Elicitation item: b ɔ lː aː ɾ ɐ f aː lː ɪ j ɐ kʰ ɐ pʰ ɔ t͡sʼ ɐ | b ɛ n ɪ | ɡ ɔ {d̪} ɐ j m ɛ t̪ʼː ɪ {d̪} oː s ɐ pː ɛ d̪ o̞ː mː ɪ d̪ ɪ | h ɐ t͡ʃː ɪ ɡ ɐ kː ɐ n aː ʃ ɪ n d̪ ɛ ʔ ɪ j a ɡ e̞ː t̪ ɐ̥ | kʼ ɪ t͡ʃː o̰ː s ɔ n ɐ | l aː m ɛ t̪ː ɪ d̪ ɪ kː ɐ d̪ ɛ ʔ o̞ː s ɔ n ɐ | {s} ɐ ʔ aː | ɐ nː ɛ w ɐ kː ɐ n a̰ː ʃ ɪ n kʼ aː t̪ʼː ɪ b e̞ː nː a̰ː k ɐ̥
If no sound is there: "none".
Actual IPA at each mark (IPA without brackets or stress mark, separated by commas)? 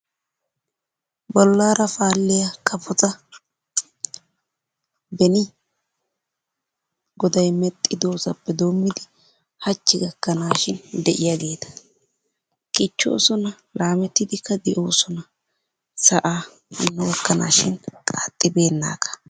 d̪, d̪, s